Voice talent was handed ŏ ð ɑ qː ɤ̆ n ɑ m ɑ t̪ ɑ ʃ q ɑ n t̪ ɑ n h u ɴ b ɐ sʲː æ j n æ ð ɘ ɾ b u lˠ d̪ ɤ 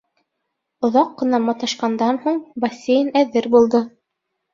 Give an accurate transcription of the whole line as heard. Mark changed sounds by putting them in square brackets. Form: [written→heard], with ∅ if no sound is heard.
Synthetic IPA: ŏ ð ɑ qː ɤ̆ n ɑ m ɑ t̪ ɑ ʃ q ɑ n [t̪→d̪] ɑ n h u ɴ b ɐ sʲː [æ→e] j n æ ð ɘ ɾ b u lˠ d̪ ɤ

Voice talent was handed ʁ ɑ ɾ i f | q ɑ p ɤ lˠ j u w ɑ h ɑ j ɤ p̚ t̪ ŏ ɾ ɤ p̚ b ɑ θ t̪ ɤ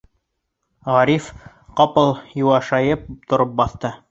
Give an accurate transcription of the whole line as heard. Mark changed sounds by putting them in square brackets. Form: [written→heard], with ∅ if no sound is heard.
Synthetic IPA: ʁ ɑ ɾ i f | q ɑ p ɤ lˠ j u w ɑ [h→ʃ] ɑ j ɤ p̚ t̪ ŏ ɾ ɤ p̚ b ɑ θ t̪ ɤ

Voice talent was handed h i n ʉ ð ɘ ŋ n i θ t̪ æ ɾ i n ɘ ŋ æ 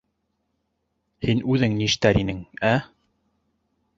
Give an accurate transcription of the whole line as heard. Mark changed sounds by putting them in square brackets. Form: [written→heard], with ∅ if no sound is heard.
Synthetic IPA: h i n ʉ ð ɘ ŋ n i [θ→ʃ] t̪ æ ɾ i n ɘ ŋ æ

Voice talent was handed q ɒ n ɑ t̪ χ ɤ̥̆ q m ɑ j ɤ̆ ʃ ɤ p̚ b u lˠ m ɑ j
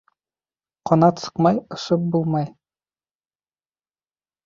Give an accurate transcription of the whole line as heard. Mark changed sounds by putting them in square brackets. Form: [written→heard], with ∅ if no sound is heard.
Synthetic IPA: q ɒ n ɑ t̪ [χ→s] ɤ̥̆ q m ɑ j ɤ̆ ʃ ɤ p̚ b u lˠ m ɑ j

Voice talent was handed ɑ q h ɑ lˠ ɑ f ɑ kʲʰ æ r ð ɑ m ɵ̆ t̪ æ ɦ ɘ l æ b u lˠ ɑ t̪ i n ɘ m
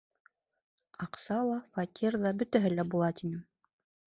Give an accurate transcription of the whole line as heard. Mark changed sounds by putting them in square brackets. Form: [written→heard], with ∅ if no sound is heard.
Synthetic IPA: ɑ q [h→s] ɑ lˠ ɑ f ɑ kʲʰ [æ→i] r ð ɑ [m→b] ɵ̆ t̪ æ ɦ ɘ l æ b u lˠ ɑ t̪ i n ɘ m

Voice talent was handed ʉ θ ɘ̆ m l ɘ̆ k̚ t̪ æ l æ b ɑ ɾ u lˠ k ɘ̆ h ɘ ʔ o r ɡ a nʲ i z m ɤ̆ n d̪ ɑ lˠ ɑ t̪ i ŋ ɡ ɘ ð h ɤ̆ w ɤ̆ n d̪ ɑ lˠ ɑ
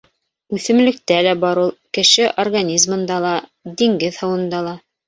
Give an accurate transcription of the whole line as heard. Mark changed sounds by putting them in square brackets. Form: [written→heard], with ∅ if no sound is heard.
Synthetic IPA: ʉ θ ɘ̆ m l ɘ̆ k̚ t̪ æ l æ b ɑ ɾ u lˠ k ɘ̆ [h→ʃ] ɘ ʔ o r ɡ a nʲ i z m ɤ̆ n d̪ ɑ lˠ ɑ [t̪→d̪] i ŋ ɡ ɘ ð h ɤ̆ w ɤ̆ n d̪ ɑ lˠ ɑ

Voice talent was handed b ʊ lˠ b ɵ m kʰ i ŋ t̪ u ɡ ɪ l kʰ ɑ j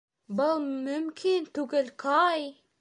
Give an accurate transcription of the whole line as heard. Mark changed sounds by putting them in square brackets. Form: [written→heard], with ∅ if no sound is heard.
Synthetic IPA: b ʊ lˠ [b→m] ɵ m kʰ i [ŋ→n] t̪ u ɡ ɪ l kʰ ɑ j

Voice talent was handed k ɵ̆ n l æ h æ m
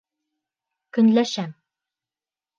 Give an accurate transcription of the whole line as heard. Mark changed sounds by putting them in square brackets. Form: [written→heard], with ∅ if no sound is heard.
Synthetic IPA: k ɵ̆ n l æ [h→ʃ] æ m

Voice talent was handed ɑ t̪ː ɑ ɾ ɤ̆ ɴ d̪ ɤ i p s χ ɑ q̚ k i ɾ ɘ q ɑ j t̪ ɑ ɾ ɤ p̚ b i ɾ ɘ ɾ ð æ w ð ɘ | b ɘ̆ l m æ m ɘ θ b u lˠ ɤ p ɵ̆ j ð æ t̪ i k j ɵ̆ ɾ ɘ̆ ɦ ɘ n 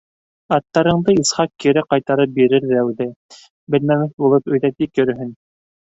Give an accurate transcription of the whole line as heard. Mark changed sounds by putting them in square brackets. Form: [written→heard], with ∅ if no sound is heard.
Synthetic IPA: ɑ t̪ː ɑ ɾ ɤ̆ ɴ d̪ ɤ i [p→∅] s χ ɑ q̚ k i ɾ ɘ q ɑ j t̪ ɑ ɾ ɤ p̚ b i ɾ ɘ ɾ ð æ w ð ɘ | b ɘ̆ l m æ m ɘ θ b u lˠ ɤ p ɵ̆ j ð æ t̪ i k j ɵ̆ ɾ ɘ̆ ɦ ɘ n

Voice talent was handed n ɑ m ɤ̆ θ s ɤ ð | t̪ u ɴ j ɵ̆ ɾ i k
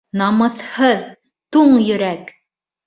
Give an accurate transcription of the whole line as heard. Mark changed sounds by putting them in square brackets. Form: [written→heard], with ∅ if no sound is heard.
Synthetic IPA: n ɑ m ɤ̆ θ [s→h] ɤ ð | t̪ u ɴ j ɵ̆ ɾ [i→æ] k

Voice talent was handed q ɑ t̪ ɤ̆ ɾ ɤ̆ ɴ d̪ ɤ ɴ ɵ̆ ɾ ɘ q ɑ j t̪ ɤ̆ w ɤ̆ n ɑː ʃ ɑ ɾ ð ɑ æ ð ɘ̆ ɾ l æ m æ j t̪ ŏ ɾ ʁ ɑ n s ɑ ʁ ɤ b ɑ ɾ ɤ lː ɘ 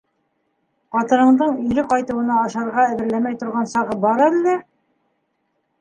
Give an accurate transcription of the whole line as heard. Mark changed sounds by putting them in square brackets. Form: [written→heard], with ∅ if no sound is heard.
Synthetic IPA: q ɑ t̪ ɤ̆ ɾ ɤ̆ ɴ d̪ ɤ ɴ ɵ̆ ɾ ɘ q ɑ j t̪ ɤ̆ w ɤ̆ n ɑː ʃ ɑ ɾ [ð→ʁ] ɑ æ ð ɘ̆ ɾ l æ m æ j t̪ ŏ ɾ ʁ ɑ n s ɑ ʁ ɤ b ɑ ɾ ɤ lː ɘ

